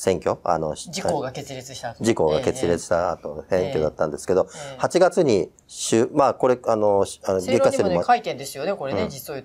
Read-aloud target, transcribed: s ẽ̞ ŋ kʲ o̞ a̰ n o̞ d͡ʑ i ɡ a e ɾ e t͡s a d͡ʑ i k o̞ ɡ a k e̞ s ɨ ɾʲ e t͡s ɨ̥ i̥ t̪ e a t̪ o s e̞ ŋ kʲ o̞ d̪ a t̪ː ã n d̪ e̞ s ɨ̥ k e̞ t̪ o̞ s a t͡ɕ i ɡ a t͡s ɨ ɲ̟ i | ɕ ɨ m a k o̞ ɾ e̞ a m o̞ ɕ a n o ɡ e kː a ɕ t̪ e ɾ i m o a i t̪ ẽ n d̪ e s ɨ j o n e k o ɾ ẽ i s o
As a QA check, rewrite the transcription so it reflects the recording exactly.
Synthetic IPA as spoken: s ẽ̞ ŋ kʲ o̞ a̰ n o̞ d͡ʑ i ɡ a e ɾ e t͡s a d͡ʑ i k o̞ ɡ a k e̞ t͡s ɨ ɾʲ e t͡s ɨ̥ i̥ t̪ a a t̪ o s ẽ̞ ŋ kʲ o̞ d̪ a t̪ː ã n d̪ e̞ s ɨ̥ k e̞ d̪ o̞ h a t͡ɕ i ɡ a t͡s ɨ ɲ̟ i | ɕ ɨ m a k o̞ ɾ e̞ a n o̞ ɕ a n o ɡ e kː a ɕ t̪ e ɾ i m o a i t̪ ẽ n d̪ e s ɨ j o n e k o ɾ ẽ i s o